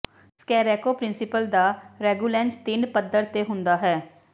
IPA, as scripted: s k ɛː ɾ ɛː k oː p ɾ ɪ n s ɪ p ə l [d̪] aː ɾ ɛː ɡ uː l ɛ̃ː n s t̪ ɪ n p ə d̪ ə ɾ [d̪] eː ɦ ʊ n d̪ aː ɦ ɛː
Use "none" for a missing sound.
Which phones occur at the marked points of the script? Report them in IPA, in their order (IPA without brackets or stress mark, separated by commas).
d̪, t̪